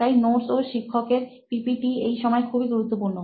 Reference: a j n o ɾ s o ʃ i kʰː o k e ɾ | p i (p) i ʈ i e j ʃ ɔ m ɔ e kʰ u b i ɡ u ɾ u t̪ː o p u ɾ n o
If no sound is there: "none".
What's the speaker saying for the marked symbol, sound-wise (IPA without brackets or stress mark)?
p